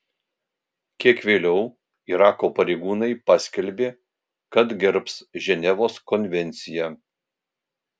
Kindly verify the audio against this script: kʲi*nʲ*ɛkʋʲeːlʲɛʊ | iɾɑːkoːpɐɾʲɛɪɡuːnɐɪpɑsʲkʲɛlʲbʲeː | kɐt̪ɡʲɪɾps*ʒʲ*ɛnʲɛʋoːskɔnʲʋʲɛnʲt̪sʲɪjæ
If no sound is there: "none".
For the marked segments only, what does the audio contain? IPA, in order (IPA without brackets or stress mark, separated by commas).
none, ʒʲ